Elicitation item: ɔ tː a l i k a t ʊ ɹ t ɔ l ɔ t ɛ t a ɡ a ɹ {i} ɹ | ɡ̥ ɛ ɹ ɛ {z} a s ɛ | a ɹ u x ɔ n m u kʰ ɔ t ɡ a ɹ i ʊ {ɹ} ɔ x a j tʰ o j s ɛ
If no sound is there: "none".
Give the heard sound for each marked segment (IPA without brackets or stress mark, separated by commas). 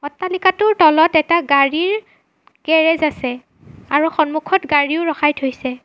i, z, ɹ